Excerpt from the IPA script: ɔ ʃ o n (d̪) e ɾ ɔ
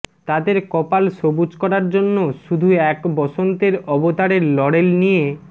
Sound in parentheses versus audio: incorrect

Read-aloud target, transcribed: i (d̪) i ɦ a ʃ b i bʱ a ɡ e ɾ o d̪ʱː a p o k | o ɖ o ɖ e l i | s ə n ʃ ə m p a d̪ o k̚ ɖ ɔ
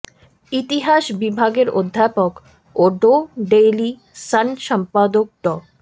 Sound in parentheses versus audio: incorrect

